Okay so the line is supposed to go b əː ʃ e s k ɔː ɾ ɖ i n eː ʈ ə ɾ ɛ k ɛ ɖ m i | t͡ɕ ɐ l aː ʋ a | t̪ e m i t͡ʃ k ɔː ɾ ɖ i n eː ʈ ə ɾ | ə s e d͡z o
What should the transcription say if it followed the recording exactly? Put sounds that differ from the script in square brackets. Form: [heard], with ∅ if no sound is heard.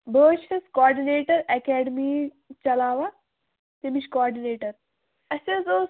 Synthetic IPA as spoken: b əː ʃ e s k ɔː ɾ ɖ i n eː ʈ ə ɾ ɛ k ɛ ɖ m i | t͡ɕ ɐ l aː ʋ a | t̪ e m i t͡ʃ k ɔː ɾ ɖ i n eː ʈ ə ɾ | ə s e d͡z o